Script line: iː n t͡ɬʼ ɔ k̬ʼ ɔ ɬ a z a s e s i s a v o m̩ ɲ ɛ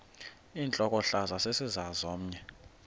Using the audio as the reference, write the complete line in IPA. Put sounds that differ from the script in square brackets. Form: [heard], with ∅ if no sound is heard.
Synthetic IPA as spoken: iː n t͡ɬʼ ɔ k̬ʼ ɔ ɬ a z a s e s i [z] a [z] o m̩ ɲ ɛ